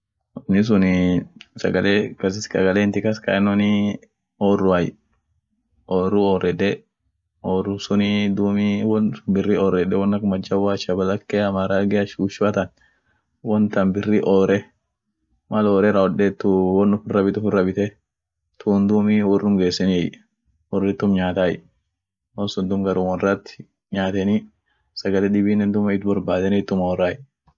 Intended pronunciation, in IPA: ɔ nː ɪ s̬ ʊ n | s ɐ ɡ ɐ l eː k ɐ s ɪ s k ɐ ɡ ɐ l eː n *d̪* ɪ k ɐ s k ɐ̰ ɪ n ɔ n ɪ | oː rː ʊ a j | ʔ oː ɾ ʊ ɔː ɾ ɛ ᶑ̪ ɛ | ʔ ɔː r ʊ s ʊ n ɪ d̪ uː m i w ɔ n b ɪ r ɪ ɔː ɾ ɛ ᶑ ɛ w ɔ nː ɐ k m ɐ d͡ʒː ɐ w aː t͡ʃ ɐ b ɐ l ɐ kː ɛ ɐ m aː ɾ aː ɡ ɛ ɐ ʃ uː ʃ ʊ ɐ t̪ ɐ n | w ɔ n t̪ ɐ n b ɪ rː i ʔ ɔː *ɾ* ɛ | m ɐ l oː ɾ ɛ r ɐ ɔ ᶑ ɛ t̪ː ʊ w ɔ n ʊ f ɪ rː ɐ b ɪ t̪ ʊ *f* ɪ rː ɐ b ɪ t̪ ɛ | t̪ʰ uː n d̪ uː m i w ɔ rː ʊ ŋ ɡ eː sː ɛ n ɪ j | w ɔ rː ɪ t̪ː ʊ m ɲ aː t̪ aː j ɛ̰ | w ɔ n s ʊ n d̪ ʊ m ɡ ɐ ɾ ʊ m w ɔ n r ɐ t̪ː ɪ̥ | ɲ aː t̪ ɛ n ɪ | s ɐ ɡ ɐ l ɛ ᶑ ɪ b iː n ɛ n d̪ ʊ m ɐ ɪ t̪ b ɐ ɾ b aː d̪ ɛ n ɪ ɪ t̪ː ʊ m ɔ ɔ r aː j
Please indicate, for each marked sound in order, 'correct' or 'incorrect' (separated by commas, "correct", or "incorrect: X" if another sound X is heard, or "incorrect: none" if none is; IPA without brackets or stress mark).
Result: incorrect: t̪, correct, correct